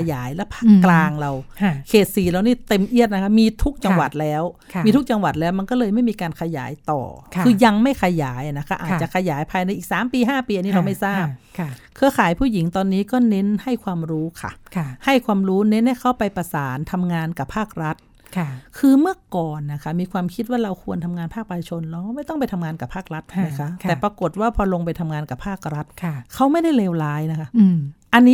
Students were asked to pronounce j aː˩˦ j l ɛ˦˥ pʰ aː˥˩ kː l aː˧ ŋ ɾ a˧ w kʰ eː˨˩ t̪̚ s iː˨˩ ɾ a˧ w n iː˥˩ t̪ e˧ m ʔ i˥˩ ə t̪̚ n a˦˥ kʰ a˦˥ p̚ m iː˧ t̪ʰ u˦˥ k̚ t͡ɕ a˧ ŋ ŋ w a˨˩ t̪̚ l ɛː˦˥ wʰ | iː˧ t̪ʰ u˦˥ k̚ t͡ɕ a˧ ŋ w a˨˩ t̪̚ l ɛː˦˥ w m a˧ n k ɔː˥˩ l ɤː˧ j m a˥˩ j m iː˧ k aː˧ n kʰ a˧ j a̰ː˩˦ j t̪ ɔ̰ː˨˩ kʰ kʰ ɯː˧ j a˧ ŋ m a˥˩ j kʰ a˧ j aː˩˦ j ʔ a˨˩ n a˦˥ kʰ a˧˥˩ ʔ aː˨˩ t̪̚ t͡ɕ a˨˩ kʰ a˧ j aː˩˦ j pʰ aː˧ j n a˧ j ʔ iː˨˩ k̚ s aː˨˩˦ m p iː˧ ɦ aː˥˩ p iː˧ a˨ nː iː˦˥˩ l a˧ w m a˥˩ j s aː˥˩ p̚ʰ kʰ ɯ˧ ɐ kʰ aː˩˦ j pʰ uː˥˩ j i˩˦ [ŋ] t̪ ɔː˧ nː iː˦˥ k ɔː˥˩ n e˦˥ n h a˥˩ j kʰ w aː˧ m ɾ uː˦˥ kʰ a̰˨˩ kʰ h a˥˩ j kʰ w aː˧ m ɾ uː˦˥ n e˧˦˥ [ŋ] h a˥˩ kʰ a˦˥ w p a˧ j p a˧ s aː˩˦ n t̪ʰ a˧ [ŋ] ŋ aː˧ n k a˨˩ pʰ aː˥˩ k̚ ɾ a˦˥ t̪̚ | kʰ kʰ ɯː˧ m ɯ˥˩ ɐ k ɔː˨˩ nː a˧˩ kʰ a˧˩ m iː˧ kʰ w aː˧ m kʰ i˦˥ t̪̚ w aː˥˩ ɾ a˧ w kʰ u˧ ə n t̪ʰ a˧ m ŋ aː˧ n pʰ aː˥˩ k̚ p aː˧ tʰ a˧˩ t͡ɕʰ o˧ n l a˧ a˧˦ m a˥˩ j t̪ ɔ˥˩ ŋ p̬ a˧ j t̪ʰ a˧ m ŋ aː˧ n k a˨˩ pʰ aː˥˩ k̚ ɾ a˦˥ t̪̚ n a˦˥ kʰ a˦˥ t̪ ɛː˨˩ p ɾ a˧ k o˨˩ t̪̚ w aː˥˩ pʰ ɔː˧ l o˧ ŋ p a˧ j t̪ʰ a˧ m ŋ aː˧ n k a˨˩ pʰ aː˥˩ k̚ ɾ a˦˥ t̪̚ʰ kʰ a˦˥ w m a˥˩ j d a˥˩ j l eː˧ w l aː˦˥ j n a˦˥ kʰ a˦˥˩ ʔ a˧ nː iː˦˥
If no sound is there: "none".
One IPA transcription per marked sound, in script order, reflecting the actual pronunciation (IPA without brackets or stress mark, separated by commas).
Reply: ŋ, n, m